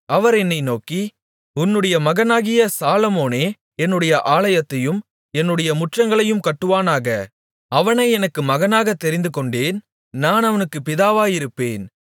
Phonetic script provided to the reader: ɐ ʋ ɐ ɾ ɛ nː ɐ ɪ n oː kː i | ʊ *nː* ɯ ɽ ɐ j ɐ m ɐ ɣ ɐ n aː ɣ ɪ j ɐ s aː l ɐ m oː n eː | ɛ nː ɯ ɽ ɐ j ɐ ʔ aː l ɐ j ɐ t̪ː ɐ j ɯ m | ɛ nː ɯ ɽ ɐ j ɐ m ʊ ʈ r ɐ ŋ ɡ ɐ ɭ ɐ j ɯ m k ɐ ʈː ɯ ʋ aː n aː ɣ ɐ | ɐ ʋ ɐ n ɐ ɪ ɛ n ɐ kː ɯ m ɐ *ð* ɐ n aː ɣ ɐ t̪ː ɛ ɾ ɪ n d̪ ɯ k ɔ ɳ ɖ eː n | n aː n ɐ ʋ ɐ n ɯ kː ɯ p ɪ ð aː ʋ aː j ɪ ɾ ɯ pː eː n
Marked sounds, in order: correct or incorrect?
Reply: correct, incorrect

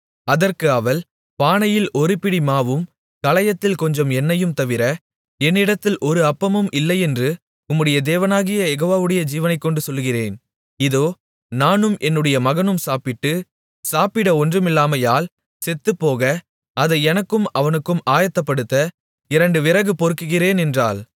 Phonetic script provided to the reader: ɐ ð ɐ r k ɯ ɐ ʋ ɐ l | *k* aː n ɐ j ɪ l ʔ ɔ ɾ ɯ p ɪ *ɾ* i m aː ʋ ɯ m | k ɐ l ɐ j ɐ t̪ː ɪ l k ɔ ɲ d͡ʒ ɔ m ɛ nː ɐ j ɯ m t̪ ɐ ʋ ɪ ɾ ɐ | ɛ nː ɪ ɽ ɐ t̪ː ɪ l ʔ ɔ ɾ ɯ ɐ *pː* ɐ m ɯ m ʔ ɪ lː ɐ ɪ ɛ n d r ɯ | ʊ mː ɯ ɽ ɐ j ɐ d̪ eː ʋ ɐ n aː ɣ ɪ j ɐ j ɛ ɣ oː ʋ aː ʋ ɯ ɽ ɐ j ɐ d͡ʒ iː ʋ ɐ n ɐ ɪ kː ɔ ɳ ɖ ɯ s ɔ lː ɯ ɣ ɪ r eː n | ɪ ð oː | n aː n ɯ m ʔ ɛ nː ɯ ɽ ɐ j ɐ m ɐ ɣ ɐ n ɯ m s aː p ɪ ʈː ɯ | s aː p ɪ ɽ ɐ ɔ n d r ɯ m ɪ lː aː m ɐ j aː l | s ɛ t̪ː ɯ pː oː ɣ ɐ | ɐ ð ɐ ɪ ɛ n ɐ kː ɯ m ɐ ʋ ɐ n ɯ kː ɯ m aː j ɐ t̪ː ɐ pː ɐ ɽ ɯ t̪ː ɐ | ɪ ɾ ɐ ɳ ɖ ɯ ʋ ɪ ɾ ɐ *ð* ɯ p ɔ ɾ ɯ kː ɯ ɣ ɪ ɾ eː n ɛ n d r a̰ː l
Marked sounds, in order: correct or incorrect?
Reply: incorrect, incorrect, correct, incorrect

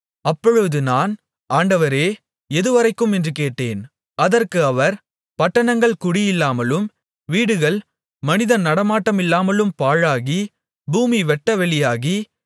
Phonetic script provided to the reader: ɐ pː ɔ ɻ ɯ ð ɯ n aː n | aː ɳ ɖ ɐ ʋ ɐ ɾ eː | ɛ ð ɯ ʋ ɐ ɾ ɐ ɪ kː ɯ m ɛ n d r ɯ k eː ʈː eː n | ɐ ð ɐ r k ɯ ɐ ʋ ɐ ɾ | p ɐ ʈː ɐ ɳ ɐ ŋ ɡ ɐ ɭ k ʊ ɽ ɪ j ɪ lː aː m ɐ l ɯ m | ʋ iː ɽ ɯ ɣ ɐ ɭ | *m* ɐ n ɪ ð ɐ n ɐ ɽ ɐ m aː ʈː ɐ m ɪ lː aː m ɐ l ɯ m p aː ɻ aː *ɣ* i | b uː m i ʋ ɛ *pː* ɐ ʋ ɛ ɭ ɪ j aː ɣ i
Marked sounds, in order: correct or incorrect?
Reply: correct, correct, incorrect

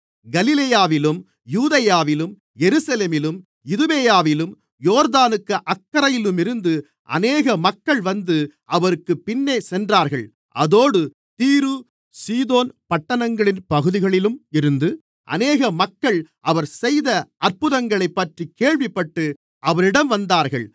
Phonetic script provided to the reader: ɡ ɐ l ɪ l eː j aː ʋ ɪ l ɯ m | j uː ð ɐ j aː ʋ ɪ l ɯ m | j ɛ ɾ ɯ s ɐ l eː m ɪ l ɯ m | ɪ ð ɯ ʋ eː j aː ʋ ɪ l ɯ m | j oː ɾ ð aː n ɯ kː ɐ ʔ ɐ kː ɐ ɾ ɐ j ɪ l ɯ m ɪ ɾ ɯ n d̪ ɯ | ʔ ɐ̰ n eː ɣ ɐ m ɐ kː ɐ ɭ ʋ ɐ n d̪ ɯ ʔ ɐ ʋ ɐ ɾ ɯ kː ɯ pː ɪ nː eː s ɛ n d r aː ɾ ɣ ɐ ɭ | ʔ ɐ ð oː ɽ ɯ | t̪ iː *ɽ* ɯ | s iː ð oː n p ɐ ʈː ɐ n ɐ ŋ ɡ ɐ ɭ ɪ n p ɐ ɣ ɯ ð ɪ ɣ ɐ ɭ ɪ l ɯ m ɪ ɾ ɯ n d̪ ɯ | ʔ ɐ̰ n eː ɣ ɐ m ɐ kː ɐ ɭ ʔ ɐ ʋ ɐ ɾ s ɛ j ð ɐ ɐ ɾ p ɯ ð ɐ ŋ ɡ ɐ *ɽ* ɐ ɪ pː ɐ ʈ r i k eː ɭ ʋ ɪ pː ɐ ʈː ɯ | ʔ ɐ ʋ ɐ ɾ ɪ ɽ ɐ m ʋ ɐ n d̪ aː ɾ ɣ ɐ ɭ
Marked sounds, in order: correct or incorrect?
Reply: incorrect, incorrect

